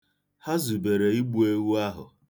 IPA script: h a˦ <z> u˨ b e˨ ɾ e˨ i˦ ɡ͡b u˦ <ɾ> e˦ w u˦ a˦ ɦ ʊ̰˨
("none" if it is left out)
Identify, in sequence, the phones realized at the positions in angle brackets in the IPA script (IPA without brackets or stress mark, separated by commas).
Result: z, none